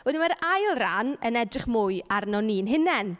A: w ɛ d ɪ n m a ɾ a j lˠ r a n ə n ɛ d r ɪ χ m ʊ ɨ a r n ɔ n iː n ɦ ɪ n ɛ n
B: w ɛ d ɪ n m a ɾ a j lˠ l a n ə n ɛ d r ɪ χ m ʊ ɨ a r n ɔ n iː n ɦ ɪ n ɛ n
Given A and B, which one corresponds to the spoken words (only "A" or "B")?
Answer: A